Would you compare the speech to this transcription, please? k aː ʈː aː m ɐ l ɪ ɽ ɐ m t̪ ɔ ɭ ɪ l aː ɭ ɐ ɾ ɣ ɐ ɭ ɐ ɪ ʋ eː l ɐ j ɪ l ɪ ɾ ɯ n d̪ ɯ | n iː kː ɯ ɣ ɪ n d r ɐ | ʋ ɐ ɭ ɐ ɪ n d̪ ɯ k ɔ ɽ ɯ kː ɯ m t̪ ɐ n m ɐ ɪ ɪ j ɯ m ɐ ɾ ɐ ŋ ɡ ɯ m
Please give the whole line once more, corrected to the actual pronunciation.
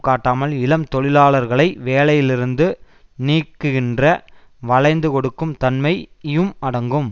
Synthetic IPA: k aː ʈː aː m ɐ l ɪ l ɐ m t̪ ɔ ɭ ɪ l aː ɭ ɐ ɾ ɣ ɐ ɭ ɐ ɪ ʋ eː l ɐ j ɪ l ɪ ɾ ɯ n d̪ ɯ | n iː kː ɯ ɣ ɪ n d r ɐ | ʋ ɐ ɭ ɐ ɪ n d̪ ɯ k ɔ ɽ ɯ kː ɯ m t̪ ɐ n m ɐ ɪ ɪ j ɯ m ɐ ɽ ɐ ŋ ɡ ɯ m